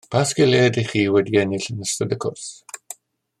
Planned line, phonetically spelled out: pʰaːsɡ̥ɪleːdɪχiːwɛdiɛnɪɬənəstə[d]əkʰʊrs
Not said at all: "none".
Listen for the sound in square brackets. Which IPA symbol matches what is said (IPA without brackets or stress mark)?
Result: d